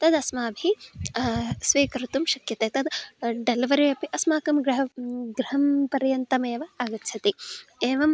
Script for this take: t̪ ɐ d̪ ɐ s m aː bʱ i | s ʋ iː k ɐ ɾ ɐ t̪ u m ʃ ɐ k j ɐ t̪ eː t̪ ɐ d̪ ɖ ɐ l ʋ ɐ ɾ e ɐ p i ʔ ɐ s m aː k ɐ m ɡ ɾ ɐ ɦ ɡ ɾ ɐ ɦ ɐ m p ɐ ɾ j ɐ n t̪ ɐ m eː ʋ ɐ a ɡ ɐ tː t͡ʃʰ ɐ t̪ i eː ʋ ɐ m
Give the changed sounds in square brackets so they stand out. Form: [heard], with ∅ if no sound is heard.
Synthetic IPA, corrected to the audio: t̪ ɐ d̪ ɐ s m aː bʱ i | s ʋ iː k ɐ ɾ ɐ t̪ u m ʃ ɐ k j ɐ t̪ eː t̪ ɐ d̪ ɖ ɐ l ʋ ɐ ɾ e ɐ p i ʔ ɐ s m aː k ɐ m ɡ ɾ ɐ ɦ ɡ ɾ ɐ ɦ ɐ m p ɐ ɾ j ɐ n t̪ ɐ m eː ʋ ɐ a ɡ ɐ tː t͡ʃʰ ɐ t̪ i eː ʋ ɐ m